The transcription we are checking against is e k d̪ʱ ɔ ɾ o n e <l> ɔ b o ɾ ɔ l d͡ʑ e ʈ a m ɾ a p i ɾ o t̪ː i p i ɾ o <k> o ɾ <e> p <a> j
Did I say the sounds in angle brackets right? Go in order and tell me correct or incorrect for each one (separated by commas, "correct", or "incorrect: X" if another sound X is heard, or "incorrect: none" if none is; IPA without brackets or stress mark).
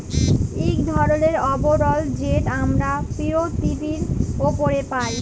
incorrect: ɾ, incorrect: p, correct, correct